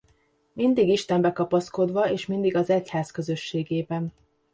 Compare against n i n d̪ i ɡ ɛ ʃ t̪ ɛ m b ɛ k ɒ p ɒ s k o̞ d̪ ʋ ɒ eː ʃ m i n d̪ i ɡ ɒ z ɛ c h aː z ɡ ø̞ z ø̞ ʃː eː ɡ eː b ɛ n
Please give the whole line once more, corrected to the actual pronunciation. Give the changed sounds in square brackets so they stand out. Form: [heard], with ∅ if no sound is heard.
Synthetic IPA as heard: [m] i n d̪ i ɡ [i] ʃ t̪ ɛ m b ɛ k ɒ p ɒ s k o̞ d̪ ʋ ɒ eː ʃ m i n d̪ i ɡ ɒ z ɛ c h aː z [k] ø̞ z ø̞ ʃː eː ɡ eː b ɛ n